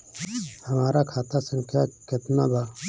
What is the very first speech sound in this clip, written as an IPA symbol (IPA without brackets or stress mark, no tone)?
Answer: h